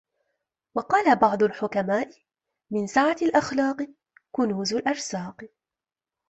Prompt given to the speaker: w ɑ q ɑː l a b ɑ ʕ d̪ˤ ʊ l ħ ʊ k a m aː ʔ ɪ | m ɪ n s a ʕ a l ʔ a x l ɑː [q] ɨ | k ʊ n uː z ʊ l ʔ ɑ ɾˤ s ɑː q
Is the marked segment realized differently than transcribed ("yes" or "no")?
no